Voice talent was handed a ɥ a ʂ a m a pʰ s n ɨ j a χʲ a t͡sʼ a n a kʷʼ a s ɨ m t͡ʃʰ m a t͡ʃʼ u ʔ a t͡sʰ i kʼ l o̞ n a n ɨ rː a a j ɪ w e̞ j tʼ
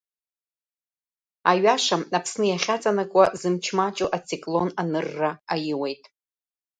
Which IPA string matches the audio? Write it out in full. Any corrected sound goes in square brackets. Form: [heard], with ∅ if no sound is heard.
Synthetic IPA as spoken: a ɥ a ʂ a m a pʰ s n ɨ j a χʲ a t͡sʼ a n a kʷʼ a [z] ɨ m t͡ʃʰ m a t͡ʃʼ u ʔ a t͡sʰ i kʼ l o̞ n a n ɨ rː a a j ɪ w e̞ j tʼ